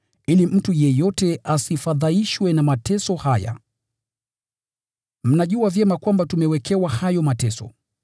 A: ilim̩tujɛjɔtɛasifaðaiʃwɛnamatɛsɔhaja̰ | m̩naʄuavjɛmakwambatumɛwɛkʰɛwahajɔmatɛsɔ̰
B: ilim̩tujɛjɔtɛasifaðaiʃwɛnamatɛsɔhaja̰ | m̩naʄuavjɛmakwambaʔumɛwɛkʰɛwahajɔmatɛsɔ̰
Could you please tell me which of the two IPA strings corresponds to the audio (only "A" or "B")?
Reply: A